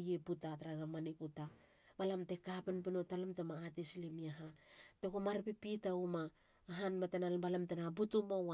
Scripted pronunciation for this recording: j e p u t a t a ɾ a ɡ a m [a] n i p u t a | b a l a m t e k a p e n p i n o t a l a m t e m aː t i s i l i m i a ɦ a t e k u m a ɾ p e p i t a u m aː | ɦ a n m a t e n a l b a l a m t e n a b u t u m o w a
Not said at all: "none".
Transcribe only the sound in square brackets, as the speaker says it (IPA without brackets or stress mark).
a